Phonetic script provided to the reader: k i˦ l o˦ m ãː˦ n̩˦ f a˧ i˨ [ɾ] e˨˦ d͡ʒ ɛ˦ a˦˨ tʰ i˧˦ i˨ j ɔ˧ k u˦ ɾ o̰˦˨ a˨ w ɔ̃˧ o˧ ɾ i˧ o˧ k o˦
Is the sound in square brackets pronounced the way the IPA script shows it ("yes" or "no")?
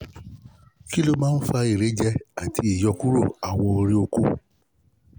yes